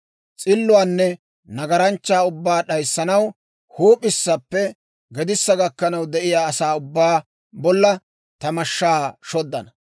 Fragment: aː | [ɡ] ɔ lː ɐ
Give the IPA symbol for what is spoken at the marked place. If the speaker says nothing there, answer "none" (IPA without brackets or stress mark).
b